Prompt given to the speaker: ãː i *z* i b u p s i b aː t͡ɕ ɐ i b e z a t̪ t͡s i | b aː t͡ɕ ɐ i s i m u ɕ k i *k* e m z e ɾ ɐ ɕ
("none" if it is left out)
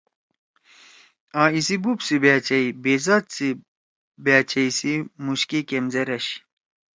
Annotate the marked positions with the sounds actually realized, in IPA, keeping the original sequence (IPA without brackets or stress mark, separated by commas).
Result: s, k